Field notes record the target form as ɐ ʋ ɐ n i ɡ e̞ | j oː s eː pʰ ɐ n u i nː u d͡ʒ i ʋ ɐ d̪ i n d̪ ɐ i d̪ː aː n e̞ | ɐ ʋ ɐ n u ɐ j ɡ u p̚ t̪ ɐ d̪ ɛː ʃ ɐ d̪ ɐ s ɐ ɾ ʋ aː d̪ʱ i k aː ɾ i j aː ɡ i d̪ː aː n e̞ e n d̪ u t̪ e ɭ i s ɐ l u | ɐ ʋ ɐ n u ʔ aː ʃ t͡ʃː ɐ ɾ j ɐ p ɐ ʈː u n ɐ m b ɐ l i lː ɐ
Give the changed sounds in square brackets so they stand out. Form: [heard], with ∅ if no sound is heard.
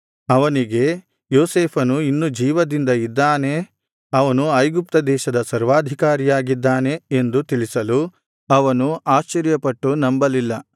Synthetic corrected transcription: ɐ ʋ ɐ n i ɡ e̞ | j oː s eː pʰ ɐ n u i nː u d͡ʒ [iː] ʋ ɐ d̪ i n d̪ ɐ i d̪ː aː n e̞ | ɐ ʋ ɐ n u ɐ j ɡ u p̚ t̪ ɐ d̪ ɛː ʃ ɐ d̪ ɐ s ɐ ɾ ʋ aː d̪ʱ i k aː ɾ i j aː ɡ i d̪ː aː n e̞ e n d̪ u t̪ [i] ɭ i s ɐ l u | ɐ ʋ ɐ n u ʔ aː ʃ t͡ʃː ɐ ɾ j ɐ p ɐ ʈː u n ɐ m b ɐ l i lː ɐ